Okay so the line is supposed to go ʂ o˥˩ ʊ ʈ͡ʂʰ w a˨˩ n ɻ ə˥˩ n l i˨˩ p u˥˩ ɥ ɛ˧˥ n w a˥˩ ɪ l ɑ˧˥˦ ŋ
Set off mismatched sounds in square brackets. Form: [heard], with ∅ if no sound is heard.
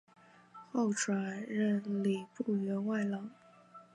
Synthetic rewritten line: [x] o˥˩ ʊ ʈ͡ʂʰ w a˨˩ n ɻ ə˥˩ n l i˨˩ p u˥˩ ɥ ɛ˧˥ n w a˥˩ ɪ l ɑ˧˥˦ ŋ